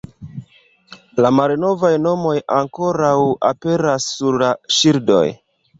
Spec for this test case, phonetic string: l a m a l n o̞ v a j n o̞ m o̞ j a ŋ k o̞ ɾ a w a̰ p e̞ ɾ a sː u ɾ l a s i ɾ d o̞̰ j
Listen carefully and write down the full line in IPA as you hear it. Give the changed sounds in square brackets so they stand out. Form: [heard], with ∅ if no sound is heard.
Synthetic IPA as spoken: l a m a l n o̞ v a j n o̞ m o̞ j a ŋ k o̞ ɾ a w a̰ p e̞ ɾ a sː u ɾ l a [ʃ] i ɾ d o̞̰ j